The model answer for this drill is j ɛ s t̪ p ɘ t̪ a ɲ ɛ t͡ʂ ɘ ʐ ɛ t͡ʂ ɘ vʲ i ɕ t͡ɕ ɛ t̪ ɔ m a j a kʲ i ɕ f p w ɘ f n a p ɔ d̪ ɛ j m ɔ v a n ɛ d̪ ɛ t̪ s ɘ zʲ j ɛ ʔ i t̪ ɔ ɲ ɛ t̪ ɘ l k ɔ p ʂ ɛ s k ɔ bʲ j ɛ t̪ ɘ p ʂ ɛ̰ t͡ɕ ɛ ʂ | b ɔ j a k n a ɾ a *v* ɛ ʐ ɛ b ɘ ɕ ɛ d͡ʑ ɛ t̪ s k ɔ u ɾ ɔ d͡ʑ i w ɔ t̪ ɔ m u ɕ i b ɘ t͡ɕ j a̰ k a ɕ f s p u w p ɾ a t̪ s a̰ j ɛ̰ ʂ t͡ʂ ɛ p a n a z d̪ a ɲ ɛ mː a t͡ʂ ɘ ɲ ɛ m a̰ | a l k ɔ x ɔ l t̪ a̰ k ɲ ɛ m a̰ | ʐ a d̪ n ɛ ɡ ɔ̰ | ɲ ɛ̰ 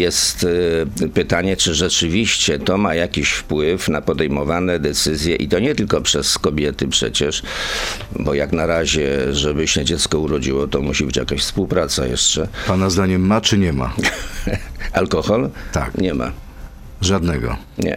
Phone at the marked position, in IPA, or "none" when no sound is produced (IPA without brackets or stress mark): ʑ